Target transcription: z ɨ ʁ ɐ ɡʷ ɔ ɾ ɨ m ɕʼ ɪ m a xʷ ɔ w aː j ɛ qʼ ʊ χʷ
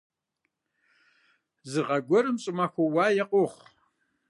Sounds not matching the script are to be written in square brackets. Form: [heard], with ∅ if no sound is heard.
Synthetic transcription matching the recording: z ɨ ʁ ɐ ɡʷ ɔ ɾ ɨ m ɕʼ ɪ m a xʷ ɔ w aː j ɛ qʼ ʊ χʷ